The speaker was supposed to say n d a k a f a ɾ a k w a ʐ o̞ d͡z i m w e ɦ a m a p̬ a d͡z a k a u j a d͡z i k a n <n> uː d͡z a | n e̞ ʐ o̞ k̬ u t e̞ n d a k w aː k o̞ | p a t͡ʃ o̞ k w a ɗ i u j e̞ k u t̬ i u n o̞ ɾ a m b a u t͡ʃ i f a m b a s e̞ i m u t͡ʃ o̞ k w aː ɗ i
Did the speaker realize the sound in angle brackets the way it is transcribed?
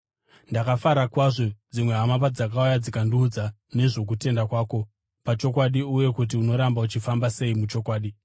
no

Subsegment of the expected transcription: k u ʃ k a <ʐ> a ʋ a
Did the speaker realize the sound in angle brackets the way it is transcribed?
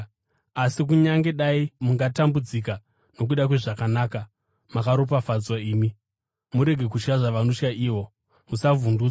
yes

